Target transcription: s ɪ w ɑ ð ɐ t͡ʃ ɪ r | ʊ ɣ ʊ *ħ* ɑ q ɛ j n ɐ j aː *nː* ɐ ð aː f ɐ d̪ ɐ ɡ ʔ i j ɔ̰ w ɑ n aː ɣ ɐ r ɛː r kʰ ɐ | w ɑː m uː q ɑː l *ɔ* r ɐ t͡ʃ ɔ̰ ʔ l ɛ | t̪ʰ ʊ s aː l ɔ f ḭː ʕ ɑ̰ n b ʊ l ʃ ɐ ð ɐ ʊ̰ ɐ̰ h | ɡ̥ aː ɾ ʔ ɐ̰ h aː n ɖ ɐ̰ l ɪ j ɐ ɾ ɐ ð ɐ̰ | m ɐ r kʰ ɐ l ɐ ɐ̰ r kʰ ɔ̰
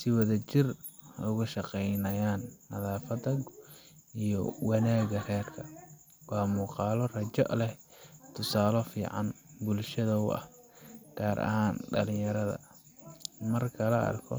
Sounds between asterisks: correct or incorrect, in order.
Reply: incorrect: ʃ, correct, correct

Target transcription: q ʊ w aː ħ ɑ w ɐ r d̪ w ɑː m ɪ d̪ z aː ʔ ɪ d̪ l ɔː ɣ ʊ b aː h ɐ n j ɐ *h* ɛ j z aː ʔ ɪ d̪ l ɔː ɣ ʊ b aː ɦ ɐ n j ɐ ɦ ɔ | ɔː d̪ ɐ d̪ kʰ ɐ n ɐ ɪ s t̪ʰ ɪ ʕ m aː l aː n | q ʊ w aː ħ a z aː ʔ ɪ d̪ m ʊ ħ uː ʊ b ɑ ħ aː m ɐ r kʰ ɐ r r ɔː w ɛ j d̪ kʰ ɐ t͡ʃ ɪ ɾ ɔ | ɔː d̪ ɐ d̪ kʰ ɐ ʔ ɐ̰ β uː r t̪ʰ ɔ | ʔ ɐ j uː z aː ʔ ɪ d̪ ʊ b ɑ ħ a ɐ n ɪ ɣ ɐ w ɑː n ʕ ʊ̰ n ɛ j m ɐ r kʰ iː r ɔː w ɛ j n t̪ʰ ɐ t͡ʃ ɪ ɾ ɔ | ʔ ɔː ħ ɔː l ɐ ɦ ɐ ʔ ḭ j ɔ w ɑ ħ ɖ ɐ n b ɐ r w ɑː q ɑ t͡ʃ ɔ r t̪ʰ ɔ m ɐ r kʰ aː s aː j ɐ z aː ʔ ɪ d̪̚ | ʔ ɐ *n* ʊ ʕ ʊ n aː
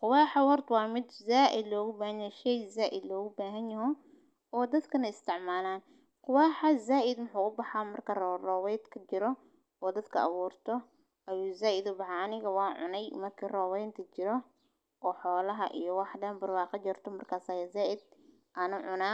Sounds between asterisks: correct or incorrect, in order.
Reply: incorrect: ʃ, correct

